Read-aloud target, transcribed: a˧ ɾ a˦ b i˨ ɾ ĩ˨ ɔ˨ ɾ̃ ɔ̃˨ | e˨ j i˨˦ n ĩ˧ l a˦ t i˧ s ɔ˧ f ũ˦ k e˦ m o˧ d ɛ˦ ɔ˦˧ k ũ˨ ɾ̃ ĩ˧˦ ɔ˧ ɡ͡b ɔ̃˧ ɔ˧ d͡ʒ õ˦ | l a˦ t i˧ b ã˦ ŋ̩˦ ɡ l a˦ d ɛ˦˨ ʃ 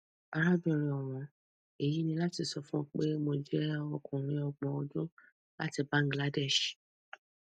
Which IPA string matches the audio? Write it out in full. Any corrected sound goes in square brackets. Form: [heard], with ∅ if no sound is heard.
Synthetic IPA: a˧ ɾ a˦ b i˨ ɾ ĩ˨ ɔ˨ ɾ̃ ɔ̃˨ | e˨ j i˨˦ n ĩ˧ l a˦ t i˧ s ɔ˧ f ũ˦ [k͡p] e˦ m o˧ [d͡ʒ] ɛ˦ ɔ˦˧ k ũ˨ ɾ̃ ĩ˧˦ ɔ˧ ɡ͡b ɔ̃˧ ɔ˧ d͡ʒ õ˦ | l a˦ t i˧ b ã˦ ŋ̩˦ ɡ l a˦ d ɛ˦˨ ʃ